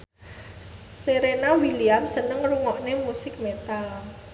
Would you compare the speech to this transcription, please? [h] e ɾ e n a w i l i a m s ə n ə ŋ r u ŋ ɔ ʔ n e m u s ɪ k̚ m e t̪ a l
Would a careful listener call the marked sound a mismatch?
yes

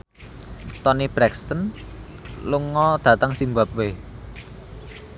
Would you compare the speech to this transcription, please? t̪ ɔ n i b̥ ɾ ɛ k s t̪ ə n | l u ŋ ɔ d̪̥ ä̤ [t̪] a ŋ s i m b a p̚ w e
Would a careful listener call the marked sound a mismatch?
no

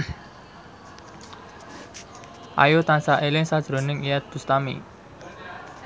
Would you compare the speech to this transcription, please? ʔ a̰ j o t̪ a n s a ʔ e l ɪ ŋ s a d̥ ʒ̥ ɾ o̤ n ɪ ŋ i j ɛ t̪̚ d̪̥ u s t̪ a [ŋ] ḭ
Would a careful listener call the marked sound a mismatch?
yes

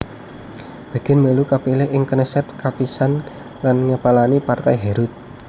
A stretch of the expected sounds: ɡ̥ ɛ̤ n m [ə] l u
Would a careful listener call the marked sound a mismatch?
no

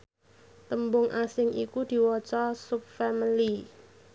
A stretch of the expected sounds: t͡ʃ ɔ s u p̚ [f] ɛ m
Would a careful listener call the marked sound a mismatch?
no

